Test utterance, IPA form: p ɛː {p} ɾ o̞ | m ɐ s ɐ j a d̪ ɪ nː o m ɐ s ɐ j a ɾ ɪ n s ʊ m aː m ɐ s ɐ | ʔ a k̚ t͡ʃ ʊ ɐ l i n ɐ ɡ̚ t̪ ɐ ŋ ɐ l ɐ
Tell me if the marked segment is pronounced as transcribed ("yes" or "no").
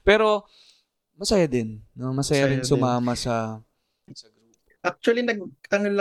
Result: no